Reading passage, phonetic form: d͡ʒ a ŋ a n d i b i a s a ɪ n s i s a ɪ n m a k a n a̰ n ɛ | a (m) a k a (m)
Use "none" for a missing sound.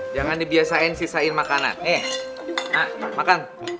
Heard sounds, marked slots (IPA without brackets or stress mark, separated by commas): m, n